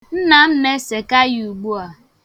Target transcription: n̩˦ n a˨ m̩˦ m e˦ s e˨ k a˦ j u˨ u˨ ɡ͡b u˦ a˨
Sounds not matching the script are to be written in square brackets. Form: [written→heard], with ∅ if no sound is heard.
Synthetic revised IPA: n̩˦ n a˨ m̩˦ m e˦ s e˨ k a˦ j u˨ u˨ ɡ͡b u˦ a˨